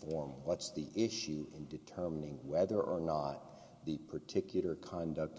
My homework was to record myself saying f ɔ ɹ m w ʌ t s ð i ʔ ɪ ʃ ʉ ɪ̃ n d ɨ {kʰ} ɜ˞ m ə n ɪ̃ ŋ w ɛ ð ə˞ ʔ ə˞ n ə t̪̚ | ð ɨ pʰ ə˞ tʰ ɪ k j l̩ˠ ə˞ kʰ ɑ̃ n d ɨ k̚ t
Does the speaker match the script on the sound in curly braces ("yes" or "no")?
no